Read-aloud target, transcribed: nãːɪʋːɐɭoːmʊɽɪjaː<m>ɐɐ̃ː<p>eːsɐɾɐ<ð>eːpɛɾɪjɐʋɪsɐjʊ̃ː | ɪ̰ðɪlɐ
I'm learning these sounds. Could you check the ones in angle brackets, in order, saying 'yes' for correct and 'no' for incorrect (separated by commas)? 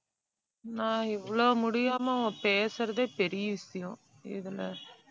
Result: yes, yes, yes